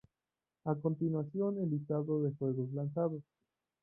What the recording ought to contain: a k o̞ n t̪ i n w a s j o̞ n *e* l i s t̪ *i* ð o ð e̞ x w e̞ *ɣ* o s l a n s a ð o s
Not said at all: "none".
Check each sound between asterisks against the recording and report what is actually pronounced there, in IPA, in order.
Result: e, a, ɣ

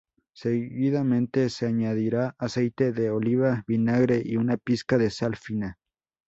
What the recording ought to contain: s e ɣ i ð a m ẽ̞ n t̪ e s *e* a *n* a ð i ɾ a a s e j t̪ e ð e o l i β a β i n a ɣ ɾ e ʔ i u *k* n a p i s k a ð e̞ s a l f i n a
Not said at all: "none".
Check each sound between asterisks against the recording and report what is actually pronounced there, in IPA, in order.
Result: e, ɲ, none

